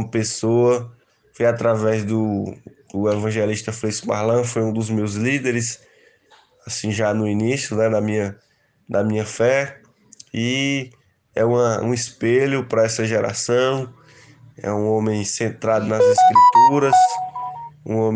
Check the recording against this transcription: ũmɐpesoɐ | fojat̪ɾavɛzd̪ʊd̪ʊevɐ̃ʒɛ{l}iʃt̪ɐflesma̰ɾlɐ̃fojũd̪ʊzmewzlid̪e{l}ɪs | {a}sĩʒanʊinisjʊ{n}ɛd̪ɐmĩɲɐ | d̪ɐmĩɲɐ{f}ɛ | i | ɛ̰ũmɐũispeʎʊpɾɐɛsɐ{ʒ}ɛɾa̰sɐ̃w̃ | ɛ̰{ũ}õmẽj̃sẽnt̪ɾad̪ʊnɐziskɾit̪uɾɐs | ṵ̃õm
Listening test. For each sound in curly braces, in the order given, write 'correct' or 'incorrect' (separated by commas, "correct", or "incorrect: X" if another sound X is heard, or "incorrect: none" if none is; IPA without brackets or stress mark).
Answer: correct, incorrect: ɾ, correct, correct, correct, correct, correct